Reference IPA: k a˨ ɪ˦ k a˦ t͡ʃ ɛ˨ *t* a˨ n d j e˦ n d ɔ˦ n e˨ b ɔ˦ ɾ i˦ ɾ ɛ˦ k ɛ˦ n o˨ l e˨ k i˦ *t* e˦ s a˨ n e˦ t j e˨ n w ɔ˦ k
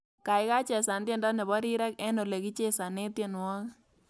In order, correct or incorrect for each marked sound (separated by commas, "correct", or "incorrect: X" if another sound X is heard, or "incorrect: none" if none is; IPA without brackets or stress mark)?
incorrect: s, incorrect: t͡ʃ